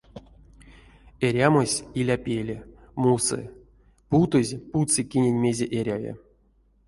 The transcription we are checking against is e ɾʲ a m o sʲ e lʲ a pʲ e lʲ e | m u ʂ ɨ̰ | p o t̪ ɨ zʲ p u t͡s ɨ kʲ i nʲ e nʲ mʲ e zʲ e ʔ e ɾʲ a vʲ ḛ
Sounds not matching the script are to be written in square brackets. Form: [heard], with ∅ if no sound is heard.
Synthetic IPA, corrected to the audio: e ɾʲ a m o sʲ [i] lʲ a pʲ e lʲ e | m u [s] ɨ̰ | p [u] t̪ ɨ zʲ p u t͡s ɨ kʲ i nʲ e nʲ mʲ e zʲ e ʔ e ɾʲ a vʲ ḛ